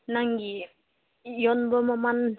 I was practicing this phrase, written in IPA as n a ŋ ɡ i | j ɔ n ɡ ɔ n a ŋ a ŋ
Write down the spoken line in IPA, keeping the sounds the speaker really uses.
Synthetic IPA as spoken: n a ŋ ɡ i | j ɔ n b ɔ m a m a n